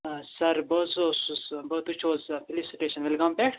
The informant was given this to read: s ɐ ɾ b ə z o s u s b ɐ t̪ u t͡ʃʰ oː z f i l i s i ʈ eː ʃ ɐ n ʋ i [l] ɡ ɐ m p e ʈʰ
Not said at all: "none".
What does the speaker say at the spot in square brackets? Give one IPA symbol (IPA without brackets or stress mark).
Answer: l